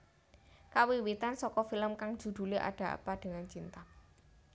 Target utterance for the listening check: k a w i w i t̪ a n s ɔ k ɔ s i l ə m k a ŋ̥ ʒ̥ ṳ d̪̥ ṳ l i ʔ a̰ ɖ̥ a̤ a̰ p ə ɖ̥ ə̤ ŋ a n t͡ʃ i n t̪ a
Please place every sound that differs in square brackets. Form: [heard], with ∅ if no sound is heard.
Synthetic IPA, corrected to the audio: k a w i w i t̪ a n s ɔ k ɔ [f] i l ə m k a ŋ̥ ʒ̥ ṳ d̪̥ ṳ l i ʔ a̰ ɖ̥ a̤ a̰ p [a] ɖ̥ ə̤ ŋ a n t͡ʃ i n t̪ a